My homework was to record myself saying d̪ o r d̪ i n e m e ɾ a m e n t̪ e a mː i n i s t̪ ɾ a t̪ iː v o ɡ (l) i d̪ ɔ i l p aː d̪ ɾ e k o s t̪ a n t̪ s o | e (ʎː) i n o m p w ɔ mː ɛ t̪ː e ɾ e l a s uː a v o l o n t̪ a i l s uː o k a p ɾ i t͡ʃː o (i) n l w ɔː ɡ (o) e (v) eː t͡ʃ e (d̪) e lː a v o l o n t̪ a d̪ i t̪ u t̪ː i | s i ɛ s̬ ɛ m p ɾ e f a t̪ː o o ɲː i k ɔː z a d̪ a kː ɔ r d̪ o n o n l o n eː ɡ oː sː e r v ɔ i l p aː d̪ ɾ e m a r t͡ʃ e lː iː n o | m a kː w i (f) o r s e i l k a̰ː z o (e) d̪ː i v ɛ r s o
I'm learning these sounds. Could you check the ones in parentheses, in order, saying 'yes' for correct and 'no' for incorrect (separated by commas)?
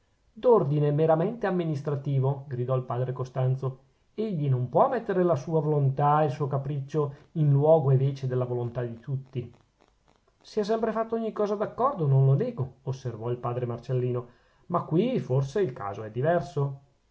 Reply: no, yes, yes, yes, yes, yes, yes, no